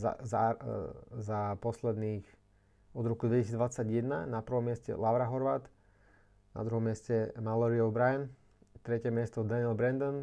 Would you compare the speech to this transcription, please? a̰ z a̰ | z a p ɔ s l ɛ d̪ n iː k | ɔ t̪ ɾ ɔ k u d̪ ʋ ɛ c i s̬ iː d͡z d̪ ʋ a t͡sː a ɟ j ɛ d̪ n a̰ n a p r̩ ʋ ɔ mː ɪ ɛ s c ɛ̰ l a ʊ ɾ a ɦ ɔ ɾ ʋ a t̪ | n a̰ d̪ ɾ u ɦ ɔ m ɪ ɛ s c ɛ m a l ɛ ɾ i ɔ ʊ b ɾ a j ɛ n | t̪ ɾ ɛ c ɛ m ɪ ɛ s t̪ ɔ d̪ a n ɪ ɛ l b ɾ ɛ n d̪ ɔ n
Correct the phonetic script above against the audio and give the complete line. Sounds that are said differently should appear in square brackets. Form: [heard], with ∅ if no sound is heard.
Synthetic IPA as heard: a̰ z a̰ | z a p ɔ s l ɛ d̪ n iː [x] | ɔ [d̪] ɾ ɔ k u d̪ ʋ ɛ c i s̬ iː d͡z d̪ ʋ a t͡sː a ɟ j ɛ d̪ n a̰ n a p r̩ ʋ ɔ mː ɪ ɛ s c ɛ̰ l a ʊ ɾ a ɦ ɔ ɾ ʋ a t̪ | n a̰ d̪ ɾ u ɦ ɔ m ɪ ɛ s c ɛ m a l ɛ ɾ i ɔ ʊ b ɾ a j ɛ n | t̪ ɾ ɛ c ɛ m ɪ ɛ s t̪ ɔ d̪ a n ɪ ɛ l b ɾ ɛ n d̪ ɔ n